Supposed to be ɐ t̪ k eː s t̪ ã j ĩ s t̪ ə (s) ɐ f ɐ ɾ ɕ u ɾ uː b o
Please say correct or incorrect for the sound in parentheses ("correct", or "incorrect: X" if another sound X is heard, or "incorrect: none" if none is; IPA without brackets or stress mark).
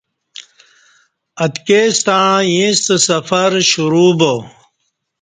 correct